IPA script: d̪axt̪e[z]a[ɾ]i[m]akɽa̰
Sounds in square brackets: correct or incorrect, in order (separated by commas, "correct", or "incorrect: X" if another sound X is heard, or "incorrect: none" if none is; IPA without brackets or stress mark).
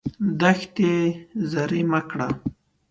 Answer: correct, correct, correct